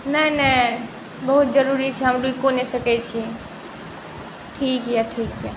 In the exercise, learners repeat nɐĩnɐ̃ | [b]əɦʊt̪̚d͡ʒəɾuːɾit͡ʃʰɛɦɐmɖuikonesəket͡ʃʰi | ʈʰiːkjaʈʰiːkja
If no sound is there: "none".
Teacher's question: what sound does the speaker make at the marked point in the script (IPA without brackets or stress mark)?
b